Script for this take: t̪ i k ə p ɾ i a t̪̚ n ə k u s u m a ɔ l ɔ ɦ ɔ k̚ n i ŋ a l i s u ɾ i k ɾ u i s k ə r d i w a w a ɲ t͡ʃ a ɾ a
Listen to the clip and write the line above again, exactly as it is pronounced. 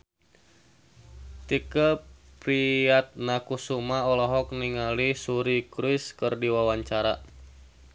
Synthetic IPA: t̪ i k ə p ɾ i a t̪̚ n a k u s u m a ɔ l ɔ ɦ ɔ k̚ n i ŋ a l i s u ɾ i k ɾ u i s k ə r d i w a w a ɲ t͡ʃ a ɾ a